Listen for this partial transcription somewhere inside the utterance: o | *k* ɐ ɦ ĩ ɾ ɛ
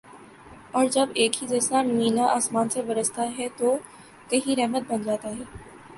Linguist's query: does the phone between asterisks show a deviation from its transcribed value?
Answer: no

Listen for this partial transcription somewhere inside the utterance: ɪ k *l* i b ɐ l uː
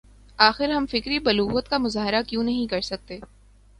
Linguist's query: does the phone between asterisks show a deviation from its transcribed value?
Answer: yes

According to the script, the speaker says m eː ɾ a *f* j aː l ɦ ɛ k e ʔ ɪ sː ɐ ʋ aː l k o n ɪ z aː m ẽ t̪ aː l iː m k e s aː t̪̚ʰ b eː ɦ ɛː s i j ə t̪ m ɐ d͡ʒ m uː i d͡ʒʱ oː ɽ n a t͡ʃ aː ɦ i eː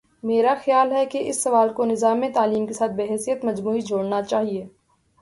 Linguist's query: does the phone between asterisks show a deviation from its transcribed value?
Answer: yes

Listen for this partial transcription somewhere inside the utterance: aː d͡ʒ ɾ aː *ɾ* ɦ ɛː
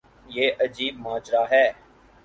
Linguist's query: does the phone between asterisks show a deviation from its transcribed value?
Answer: yes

